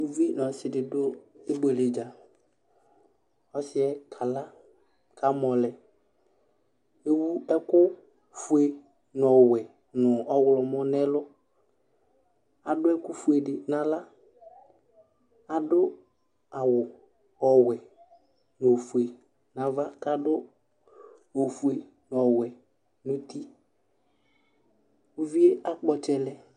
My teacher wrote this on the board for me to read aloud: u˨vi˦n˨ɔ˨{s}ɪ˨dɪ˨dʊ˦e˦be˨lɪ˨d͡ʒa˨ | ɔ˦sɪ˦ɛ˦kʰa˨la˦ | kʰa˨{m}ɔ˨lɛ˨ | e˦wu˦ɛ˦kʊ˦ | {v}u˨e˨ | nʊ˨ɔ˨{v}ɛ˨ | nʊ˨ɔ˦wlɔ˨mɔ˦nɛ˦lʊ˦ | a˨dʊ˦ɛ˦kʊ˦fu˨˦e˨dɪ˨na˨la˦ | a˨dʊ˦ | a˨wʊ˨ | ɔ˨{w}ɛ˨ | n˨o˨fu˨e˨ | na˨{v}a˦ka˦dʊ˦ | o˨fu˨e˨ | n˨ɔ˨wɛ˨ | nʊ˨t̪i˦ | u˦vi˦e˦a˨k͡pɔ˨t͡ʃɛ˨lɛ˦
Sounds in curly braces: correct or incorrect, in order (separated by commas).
correct, correct, incorrect, incorrect, correct, correct